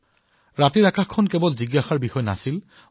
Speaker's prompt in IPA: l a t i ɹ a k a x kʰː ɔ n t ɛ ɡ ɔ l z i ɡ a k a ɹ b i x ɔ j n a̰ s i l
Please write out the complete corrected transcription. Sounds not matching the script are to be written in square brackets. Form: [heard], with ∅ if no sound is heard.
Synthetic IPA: [ɹ] a t i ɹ a k a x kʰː ɔ n [k] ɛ [b] ɔ l z i ɡ a [x] a ɹ b i x ɔ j n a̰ s i l